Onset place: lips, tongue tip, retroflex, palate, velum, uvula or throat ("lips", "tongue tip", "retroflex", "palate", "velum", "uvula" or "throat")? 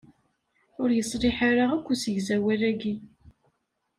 tongue tip